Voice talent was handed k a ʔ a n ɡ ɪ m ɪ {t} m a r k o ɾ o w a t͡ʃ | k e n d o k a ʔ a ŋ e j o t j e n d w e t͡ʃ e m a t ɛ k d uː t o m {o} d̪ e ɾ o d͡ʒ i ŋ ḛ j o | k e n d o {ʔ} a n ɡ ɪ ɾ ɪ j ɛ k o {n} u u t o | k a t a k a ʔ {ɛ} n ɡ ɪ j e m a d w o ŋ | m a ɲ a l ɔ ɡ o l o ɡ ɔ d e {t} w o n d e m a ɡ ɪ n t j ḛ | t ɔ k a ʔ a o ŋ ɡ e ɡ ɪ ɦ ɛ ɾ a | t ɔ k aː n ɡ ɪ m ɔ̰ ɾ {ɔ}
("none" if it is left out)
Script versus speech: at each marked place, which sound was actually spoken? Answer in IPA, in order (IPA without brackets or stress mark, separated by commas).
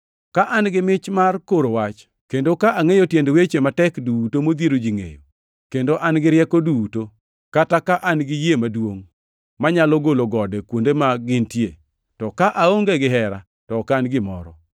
t͡ʃ, o, ʔ, d, a, k, ɔ